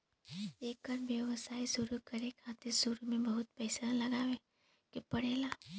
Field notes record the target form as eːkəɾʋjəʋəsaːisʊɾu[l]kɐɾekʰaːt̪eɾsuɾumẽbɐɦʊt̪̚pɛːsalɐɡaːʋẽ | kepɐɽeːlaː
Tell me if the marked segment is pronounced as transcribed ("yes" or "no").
no